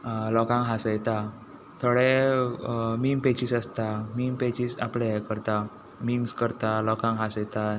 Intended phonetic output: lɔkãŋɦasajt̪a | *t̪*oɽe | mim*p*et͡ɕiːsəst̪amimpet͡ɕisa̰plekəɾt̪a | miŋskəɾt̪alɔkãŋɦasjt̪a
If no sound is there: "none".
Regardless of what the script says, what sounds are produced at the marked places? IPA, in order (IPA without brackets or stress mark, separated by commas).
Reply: t̪ʰ, p